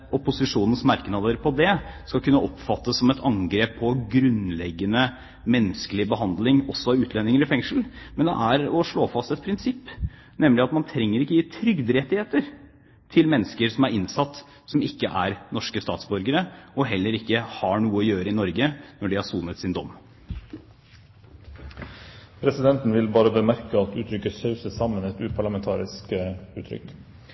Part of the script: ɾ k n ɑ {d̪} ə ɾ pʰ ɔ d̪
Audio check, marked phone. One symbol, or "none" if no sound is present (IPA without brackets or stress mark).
d̪